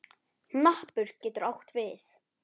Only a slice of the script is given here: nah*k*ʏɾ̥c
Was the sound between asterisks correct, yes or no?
no